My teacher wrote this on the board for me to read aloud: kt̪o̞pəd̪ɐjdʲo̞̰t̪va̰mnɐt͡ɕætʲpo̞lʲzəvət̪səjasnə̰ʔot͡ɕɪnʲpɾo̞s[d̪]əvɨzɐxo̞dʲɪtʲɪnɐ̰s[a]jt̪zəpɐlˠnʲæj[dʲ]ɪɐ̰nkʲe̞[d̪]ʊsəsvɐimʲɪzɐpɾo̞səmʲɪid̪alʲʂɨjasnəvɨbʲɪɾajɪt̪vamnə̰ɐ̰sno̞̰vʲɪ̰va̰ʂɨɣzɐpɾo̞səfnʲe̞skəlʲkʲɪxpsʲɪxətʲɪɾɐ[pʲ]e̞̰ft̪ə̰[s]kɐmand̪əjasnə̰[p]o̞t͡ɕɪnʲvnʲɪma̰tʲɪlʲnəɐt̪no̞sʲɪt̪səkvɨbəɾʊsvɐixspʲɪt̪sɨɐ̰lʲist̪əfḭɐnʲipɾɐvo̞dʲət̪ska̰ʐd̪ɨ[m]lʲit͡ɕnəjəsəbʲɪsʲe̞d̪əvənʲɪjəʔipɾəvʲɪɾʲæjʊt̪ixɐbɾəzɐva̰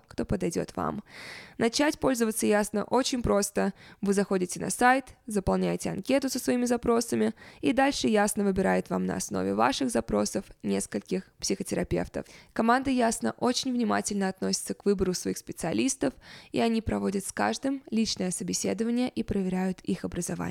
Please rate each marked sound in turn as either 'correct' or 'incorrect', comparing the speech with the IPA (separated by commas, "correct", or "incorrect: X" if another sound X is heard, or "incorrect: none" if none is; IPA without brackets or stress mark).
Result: incorrect: t̪, correct, incorrect: tʲ, incorrect: t̪, correct, incorrect: f, incorrect: ʔ, correct